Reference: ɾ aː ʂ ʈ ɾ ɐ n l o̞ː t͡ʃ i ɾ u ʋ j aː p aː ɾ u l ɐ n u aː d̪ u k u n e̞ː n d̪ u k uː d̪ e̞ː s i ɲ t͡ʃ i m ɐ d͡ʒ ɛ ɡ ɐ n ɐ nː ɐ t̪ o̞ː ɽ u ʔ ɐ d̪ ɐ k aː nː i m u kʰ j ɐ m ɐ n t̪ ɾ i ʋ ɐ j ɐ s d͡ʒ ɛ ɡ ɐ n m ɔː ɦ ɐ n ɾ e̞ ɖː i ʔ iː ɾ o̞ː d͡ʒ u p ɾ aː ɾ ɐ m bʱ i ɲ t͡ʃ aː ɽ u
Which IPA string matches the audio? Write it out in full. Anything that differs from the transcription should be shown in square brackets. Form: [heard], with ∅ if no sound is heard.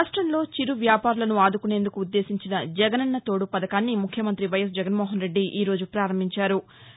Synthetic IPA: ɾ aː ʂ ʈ ɾ ɐ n l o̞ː t͡ʃ i ɾ u ʋ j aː p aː ɾ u l ɐ n u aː d̪ u k u n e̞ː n d̪ u k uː [d̪ː] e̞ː s i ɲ t͡ʃ i [n] ɐ d͡ʒ ɛ ɡ ɐ n ɐ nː ɐ t̪ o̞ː ɽ u [p] ɐ d̪ ɐ k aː nː i m u kʰ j ɐ m ɐ n t̪ ɾ i ʋ ɐ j ɐ s d͡ʒ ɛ ɡ ɐ n m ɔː ɦ ɐ n ɾ e̞ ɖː i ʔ iː ɾ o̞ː d͡ʒ u p ɾ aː ɾ ɐ m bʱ i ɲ t͡ʃ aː [ɾ] u